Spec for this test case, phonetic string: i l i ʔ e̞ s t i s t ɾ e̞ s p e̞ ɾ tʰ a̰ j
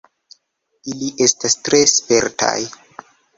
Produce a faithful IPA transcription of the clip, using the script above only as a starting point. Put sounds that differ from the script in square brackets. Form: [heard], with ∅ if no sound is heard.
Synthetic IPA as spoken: i l i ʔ e̞ s t [a] s t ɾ e̞ s p e̞ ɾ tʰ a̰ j